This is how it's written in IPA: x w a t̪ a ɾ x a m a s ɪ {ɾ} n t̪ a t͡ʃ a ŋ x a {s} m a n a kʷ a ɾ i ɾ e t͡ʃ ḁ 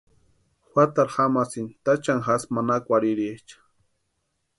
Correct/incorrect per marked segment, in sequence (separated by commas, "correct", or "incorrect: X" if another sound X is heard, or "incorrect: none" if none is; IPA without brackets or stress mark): incorrect: none, correct